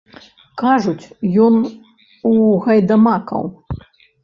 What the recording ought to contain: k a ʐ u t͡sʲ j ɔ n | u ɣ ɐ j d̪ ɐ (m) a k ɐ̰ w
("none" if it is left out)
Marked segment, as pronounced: m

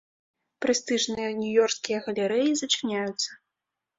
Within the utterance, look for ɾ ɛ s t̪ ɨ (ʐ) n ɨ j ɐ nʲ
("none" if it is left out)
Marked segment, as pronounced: ʐ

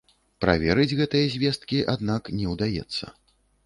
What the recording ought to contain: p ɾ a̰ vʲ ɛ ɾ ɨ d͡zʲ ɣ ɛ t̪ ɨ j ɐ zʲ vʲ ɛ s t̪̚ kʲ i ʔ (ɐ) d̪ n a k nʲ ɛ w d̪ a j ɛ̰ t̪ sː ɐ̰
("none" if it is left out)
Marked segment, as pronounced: a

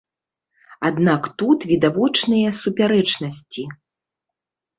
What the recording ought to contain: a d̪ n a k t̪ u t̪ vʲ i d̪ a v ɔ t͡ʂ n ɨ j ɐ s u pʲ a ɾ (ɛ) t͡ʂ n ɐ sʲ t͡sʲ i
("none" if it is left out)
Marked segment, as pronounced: ɛ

